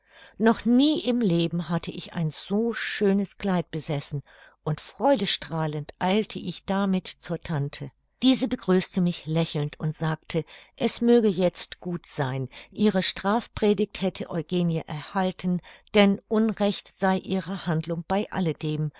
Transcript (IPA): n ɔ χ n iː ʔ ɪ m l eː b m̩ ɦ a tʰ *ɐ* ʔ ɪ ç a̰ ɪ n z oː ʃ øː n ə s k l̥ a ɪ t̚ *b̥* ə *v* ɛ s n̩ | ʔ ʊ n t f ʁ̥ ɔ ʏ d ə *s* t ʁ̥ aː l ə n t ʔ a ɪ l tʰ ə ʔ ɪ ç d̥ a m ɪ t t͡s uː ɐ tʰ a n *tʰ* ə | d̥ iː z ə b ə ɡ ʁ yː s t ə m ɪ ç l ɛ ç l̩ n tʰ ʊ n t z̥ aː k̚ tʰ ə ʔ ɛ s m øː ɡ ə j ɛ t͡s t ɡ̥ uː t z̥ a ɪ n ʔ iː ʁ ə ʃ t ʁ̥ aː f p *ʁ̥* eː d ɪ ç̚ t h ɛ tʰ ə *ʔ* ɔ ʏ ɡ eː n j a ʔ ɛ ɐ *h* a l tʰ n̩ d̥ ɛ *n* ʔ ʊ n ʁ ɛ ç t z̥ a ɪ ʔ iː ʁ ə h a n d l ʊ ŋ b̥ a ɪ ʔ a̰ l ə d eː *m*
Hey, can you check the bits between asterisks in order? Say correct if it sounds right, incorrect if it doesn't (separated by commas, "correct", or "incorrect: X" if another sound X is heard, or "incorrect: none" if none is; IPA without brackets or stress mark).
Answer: incorrect: ə, correct, incorrect: z, incorrect: ʃ, correct, correct, correct, correct, correct, correct